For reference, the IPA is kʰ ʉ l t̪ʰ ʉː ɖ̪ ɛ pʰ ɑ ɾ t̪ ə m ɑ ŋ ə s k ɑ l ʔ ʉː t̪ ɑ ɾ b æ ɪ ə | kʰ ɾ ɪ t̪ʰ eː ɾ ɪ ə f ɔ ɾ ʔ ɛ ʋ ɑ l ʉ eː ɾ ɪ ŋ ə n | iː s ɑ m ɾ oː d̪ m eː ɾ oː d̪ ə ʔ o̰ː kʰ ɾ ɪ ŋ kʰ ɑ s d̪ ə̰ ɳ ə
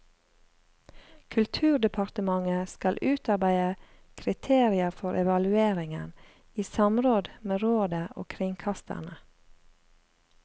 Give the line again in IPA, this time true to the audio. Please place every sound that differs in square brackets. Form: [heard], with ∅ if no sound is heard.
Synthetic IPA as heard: kʰ ʉ l t̪ʰ ʉː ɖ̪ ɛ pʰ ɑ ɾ t̪ ə m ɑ ŋ ə s k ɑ l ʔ ʉː t̪ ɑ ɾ b æ ɪ ə | kʰ ɾ ɪ t̪ʰ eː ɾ ɪ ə f ɔ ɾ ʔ ɛ ʋ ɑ l ʉ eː ɾ ɪ ŋ ə n | iː s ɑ m ɾ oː d̪ m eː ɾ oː d̪ ə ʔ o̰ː kʰ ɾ ɪ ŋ kʰ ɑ s [t̪] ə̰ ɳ ə